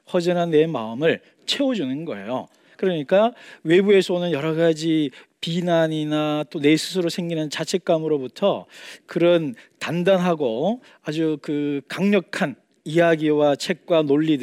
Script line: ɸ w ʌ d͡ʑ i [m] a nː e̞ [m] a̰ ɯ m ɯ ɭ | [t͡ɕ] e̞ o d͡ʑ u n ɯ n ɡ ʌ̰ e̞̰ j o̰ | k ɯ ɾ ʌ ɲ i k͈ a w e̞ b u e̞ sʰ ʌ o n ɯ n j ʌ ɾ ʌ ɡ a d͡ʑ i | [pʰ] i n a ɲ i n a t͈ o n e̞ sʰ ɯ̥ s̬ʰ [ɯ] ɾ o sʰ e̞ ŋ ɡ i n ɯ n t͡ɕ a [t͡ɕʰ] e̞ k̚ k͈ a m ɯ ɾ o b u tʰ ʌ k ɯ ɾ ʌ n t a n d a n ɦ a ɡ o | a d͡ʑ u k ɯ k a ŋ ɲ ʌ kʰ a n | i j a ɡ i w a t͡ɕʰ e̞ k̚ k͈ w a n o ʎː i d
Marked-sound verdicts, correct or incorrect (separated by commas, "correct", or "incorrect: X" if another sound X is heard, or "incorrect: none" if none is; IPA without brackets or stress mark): incorrect: n, correct, incorrect: t͡ɕʰ, incorrect: p, correct, correct